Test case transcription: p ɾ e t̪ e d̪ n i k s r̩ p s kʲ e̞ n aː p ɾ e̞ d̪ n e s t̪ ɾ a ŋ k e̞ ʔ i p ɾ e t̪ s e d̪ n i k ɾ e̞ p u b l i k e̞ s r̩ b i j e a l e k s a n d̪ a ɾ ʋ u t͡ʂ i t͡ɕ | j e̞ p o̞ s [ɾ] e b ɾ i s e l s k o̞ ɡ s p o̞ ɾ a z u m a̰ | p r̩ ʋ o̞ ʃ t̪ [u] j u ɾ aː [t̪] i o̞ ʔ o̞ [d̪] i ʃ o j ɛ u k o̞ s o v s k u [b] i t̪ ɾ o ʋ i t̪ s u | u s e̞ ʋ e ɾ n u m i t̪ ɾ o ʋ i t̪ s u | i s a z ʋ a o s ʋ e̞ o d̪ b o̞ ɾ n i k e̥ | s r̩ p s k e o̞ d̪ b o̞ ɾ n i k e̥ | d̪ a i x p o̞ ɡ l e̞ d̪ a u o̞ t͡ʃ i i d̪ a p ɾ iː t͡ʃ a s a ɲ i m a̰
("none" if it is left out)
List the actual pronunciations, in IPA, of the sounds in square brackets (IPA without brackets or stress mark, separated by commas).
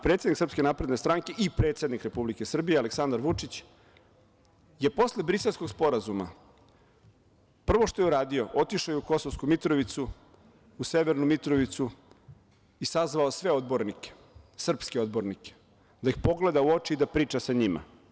l, o, d̪, t̪, m